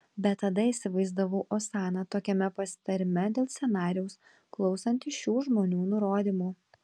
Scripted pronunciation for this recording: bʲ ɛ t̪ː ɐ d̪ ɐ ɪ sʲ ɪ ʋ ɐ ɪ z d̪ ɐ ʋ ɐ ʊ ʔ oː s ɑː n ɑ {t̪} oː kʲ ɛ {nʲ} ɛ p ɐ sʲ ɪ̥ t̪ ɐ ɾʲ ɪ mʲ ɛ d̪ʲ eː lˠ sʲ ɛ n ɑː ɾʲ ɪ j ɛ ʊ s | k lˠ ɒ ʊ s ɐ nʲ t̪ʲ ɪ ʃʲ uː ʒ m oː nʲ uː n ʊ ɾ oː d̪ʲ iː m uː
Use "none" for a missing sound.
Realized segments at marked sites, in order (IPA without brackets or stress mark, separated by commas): t̪, mʲ